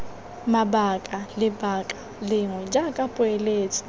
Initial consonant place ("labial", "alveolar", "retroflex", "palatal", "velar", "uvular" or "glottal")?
labial